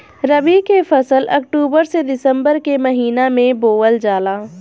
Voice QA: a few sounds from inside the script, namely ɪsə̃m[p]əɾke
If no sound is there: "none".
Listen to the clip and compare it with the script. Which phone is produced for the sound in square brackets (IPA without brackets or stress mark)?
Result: b